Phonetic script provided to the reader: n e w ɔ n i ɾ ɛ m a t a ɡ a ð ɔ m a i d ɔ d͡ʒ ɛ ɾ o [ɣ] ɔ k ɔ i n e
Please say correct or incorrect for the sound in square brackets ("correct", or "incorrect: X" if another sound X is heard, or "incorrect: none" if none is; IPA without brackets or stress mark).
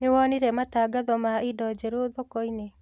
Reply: incorrect: ð